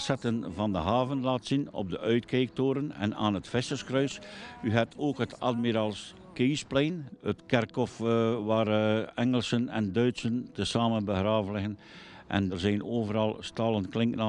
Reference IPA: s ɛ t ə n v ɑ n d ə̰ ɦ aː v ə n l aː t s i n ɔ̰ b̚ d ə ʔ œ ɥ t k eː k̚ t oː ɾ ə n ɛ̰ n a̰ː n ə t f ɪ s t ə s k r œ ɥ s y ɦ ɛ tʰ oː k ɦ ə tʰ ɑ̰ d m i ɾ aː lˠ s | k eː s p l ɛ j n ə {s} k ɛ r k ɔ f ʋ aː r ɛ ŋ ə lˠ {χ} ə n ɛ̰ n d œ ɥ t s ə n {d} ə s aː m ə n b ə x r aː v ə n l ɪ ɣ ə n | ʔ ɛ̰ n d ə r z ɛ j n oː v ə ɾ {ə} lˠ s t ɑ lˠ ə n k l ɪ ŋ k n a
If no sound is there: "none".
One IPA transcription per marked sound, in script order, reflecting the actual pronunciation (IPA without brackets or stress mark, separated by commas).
t, s, t, ɑ